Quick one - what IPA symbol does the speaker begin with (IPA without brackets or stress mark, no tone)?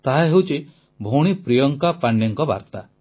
t̪